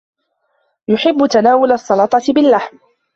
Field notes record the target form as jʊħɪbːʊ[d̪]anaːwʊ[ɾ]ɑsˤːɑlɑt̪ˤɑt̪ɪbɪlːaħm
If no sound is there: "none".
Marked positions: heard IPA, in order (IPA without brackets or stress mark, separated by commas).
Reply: t̪, l